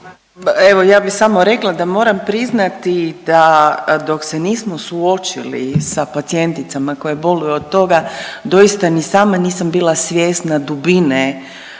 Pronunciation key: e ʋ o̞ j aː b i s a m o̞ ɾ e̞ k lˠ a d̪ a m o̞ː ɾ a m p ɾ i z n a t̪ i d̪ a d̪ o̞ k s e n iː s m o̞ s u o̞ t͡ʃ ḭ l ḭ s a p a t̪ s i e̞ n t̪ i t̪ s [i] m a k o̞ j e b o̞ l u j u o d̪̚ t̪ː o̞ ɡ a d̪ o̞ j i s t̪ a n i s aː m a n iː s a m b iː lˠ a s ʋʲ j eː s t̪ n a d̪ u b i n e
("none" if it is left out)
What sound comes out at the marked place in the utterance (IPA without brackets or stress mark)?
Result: a